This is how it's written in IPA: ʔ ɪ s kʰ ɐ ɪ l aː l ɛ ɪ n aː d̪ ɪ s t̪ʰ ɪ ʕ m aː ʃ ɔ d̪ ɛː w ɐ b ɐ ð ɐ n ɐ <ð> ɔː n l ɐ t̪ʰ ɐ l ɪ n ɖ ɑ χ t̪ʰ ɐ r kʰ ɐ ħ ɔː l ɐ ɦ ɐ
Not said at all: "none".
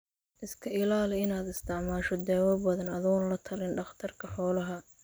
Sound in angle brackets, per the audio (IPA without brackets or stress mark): ð